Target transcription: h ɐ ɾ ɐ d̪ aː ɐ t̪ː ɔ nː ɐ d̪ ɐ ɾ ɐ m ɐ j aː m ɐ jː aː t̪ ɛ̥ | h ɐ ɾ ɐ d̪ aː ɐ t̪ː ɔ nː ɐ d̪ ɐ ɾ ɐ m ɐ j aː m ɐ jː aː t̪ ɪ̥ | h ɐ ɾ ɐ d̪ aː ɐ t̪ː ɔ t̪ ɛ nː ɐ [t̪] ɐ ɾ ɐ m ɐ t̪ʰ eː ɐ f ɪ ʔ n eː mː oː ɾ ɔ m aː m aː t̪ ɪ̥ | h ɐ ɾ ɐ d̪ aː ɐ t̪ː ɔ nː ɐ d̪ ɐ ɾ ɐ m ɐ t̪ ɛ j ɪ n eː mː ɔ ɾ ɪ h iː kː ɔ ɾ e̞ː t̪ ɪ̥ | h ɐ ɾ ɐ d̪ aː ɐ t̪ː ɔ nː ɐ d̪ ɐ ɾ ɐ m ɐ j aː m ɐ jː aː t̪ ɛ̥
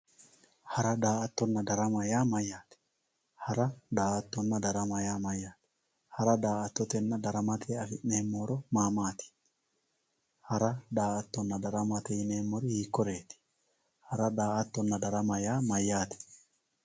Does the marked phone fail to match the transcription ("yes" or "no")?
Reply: yes